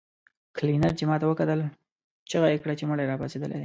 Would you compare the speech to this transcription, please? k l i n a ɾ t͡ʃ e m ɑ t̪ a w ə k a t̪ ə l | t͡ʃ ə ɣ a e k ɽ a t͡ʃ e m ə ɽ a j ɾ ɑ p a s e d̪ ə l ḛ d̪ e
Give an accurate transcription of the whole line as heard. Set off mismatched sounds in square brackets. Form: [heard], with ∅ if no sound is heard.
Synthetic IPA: k l i n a ɾ t͡ʃ e m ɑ t̪ a w ə k a t̪ ə l | t͡ʃ ə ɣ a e k ɽ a t͡ʃ e m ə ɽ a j ɾ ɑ p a s e d̪ ə l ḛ d̪ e